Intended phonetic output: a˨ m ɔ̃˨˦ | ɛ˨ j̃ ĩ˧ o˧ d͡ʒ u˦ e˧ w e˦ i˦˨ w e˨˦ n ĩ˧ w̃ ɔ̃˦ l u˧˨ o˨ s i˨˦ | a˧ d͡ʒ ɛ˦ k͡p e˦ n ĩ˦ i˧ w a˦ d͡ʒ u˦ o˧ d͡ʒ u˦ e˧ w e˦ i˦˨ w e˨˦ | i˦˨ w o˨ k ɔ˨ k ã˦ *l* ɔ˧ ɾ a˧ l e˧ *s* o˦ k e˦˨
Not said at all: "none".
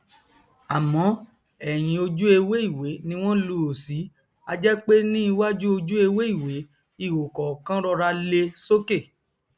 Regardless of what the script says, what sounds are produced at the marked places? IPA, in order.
ɾ, s

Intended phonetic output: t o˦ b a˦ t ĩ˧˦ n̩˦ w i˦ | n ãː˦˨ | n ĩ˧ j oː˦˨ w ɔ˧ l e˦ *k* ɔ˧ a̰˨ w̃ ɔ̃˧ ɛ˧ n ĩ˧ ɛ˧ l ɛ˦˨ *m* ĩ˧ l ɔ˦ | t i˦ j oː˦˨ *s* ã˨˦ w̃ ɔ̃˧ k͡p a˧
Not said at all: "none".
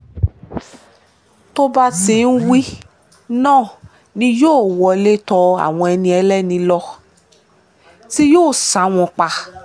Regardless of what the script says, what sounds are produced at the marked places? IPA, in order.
t, n, s

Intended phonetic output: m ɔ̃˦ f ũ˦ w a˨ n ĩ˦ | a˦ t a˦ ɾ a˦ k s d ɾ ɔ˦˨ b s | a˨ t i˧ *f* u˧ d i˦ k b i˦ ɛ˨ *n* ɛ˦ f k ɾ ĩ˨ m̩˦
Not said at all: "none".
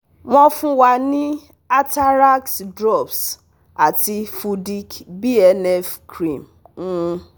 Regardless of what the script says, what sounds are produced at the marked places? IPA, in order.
f, n

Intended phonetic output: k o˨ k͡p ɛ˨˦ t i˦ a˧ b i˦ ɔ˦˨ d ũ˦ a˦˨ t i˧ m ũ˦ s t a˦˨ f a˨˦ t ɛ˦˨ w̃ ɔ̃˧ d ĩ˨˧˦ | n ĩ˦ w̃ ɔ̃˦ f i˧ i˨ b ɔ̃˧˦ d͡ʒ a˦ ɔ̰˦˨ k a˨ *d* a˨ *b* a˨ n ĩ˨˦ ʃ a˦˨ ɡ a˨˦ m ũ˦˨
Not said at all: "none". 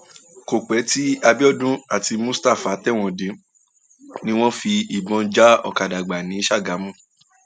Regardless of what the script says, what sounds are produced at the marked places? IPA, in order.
d, ɡ͡b

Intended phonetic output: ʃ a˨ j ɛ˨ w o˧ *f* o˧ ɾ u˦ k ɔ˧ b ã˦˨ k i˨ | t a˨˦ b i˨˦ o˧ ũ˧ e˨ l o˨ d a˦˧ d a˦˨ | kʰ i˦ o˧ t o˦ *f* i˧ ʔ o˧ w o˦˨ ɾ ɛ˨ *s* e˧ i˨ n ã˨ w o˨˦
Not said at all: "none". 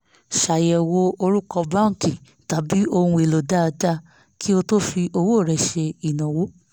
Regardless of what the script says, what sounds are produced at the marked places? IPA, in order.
none, f, ʃ

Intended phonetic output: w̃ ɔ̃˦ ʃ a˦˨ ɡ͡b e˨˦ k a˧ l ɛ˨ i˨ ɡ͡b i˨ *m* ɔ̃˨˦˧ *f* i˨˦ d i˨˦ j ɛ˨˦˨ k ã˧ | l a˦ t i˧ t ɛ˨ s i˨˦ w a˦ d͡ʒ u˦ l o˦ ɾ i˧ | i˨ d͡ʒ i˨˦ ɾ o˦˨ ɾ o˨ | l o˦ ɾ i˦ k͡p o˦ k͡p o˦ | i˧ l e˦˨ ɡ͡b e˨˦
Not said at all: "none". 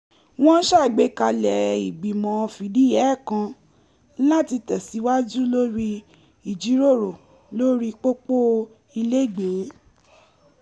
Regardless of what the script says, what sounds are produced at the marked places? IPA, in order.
m, f

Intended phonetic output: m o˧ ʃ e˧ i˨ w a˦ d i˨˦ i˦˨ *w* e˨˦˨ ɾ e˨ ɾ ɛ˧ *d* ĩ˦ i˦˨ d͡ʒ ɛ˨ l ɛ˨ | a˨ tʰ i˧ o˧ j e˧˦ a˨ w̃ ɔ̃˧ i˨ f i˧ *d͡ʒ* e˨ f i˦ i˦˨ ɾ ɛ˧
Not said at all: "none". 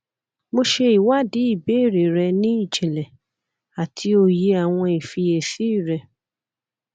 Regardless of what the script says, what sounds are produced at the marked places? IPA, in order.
b, n, none

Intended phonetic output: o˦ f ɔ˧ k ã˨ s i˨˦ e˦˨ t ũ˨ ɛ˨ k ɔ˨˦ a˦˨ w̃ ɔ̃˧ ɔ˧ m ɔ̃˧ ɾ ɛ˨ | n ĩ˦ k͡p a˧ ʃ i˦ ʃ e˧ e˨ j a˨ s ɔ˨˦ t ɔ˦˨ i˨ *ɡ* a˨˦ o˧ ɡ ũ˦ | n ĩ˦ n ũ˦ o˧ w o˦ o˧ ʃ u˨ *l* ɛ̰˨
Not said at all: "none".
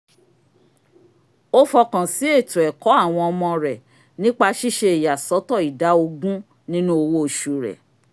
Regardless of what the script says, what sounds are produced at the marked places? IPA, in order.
d, ɾ

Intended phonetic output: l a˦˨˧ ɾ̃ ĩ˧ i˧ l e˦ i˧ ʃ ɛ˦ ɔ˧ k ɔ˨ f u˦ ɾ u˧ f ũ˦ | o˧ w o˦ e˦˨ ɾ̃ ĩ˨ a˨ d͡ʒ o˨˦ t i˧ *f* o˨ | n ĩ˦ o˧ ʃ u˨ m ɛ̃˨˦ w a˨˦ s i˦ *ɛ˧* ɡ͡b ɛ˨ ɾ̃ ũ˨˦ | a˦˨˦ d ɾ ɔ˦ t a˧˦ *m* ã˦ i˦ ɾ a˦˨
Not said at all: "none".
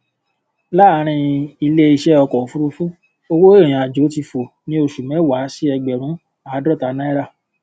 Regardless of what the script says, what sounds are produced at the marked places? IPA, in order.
f, ɛ˧, n

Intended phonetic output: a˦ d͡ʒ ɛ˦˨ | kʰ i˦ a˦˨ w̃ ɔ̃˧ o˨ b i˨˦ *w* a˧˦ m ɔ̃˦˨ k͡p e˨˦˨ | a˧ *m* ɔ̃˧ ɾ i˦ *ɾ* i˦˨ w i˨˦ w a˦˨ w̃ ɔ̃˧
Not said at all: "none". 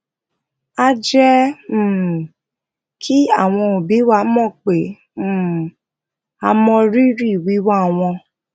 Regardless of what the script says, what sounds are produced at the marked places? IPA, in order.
w, m, ɾ

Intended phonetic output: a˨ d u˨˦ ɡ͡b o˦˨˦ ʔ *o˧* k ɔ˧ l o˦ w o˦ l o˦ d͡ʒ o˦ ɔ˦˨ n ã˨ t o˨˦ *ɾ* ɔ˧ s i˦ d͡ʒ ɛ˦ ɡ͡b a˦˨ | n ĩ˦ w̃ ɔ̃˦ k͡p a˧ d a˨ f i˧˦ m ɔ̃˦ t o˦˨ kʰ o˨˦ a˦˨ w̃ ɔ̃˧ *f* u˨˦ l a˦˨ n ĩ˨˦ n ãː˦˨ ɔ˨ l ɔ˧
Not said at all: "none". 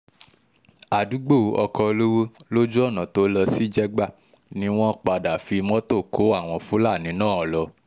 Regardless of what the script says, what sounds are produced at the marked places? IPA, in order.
ɔ˧, l, f

